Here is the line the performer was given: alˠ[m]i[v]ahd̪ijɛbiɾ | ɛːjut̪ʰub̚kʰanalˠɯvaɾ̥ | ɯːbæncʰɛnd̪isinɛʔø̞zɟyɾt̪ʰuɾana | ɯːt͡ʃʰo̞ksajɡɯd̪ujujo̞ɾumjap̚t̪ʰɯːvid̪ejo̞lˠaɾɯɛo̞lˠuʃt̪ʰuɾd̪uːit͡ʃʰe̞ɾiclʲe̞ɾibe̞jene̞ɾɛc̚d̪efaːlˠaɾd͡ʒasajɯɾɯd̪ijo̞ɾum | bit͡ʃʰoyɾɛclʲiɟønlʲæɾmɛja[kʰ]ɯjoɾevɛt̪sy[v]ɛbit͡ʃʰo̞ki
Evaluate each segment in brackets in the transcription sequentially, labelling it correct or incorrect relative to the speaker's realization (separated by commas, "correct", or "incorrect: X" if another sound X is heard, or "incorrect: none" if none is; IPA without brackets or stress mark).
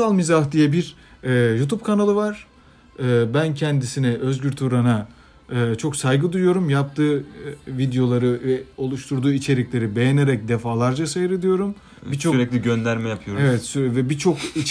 correct, incorrect: z, incorrect: pʰ, correct